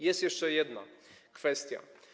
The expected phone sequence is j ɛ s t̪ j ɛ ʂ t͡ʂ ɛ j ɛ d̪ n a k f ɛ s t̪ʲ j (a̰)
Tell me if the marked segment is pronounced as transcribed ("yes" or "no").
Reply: yes